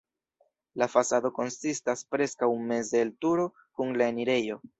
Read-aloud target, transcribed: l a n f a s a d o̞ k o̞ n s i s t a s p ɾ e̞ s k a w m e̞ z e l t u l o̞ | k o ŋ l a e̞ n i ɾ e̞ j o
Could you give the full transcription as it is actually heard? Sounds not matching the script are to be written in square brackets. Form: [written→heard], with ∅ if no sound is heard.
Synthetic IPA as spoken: l a [n→∅] f a s a d o̞ k o̞ n s i s t a s p ɾ e̞ s k a w m e̞ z e l t u [l→ɾ] o̞ | k [o→u] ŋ l a e̞ n i ɾ e̞ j o